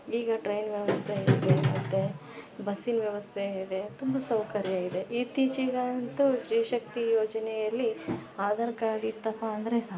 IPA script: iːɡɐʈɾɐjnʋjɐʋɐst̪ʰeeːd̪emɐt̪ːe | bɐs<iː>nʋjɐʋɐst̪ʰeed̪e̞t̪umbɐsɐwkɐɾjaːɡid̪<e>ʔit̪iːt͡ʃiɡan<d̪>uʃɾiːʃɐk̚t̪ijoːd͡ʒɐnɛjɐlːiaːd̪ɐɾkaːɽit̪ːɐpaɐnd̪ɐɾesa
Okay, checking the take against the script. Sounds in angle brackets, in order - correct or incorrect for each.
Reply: incorrect, correct, incorrect

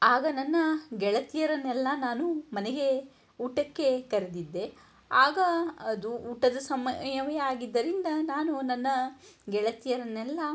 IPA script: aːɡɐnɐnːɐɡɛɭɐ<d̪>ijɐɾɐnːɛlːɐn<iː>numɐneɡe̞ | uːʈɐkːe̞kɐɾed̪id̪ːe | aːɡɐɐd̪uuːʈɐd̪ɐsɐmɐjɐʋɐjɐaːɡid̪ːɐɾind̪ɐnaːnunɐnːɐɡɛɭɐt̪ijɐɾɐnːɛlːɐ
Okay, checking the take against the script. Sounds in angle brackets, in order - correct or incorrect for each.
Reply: incorrect, incorrect

